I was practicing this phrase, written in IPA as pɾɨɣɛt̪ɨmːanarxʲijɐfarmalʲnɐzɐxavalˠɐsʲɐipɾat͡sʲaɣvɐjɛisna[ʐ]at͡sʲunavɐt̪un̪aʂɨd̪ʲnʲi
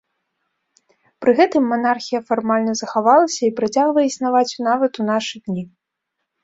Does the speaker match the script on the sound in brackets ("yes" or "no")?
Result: no